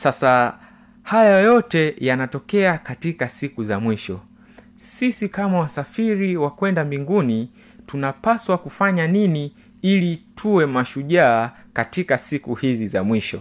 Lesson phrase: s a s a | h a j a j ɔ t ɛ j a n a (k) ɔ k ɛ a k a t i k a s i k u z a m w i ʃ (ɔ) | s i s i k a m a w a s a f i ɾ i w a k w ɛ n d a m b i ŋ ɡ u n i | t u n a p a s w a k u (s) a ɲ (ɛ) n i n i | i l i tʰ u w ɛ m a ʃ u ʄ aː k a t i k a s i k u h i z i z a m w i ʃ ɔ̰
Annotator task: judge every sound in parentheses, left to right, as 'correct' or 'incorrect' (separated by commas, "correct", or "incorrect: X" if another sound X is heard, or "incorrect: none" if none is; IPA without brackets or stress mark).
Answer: incorrect: t, correct, incorrect: f, incorrect: a